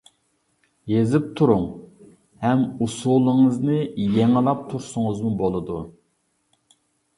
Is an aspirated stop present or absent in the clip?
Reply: present